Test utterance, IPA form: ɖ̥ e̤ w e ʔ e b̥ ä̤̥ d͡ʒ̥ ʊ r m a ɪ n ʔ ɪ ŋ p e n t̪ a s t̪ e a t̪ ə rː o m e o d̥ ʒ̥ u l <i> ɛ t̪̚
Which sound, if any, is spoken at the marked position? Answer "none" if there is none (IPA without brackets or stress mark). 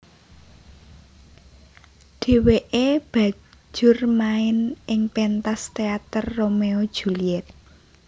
i